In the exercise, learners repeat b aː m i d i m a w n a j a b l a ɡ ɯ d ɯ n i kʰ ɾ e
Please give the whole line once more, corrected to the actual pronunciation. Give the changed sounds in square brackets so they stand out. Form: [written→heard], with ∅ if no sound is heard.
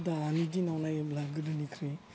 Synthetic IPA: [b→d] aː [m→n] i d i [m→n] a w n a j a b l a ɡ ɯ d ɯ n i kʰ ɾ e

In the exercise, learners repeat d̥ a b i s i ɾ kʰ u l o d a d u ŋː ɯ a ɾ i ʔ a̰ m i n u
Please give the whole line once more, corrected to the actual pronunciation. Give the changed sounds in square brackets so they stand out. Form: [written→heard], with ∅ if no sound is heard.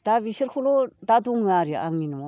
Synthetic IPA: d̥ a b i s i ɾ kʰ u l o d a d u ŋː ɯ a ɾ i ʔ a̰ [m→ŋ] i n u

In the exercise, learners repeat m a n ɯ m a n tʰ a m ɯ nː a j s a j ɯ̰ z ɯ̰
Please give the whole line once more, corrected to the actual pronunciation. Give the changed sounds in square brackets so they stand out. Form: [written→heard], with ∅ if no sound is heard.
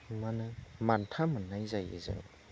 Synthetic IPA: m a n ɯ m a n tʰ a m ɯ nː a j [s→z] a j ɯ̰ z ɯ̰

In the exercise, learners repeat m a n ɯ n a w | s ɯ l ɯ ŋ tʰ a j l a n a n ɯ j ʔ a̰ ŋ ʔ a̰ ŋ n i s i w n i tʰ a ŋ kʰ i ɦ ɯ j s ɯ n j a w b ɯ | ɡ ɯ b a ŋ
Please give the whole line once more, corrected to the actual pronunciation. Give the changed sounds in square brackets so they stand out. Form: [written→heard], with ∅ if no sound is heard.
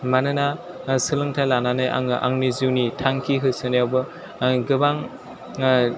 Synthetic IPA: m a n ɯ n a [w→∅] | s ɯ l ɯ ŋ tʰ a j l a n a n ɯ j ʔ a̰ ŋ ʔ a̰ ŋ n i [s→z] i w n i tʰ a ŋ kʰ i ɦ ɯ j s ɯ n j a w b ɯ | ɡ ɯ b a ŋ

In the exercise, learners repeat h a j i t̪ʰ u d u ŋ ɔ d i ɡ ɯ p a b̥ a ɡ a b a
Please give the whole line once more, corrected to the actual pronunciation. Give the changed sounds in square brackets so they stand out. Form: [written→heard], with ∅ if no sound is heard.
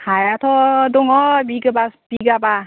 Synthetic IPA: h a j [i→a] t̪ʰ [u→ɔ] d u ŋ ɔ [d→b] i ɡ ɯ [p→b] a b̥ [a→i] ɡ a b a

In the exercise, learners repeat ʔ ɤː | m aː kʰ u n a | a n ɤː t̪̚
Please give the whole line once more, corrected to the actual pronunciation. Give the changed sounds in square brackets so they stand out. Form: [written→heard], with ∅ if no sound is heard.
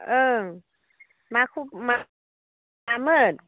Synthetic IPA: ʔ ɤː | m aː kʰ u [n→m] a | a [n→m] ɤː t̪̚

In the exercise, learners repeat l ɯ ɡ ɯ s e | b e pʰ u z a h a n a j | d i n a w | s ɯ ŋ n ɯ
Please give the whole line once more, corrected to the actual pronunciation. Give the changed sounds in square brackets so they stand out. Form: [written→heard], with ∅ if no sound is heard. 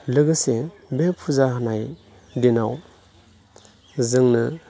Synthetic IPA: l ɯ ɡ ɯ s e | b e pʰ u z a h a n a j | d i n a w | [s→z] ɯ ŋ n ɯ

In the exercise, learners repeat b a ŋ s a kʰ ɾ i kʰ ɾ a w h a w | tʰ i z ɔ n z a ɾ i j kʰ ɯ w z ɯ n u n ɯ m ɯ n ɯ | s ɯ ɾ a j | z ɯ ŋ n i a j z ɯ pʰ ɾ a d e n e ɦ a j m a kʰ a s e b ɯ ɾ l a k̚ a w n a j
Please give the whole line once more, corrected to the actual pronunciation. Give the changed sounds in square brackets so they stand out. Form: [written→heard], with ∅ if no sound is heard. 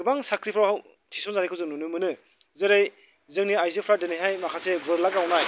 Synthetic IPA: b a ŋ s a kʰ ɾ i [kʰ→pʰ] ɾ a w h a w | tʰ i [z→s] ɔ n z a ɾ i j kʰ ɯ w z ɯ n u n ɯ m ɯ n ɯ | [s→z] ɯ ɾ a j | z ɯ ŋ n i a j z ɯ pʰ ɾ a d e n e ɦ a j m a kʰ a s e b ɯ ɾ l a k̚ a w n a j

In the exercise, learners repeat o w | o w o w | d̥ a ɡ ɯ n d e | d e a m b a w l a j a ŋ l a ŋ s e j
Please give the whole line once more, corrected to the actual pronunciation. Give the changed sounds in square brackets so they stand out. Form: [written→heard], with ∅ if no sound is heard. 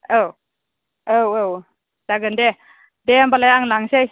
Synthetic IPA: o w | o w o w | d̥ a ɡ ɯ n d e | d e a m b a [w→∅] l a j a ŋ l a ŋ s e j

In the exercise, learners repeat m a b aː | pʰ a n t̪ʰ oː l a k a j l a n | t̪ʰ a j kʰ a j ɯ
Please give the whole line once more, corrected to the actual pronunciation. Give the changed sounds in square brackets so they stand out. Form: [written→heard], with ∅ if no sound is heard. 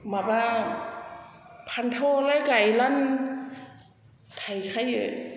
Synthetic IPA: m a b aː | pʰ a n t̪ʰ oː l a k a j l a n | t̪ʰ a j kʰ a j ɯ

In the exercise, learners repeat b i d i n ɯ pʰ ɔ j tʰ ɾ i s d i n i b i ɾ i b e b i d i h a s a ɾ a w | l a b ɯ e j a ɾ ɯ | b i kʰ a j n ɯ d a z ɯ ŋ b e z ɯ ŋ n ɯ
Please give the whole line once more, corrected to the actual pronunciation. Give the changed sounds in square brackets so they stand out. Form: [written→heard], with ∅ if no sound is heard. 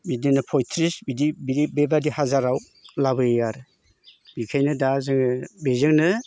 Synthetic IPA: b i d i n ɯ pʰ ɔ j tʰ ɾ i s [d→b] i [n→d] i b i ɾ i b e b [i→a] d i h a [s→z] a ɾ a w | l a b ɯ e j a ɾ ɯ | b i kʰ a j n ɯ d a z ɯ ŋ b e z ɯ ŋ n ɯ

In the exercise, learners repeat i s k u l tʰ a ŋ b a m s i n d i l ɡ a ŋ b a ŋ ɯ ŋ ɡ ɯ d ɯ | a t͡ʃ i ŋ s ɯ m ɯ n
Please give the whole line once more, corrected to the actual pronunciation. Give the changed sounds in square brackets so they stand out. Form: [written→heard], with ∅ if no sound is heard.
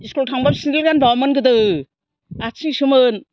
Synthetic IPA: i s k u l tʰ a ŋ b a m s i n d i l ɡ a [ŋ→n] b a [ŋ→m] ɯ [ŋ→n] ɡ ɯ d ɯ | a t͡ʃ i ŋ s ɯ m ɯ n

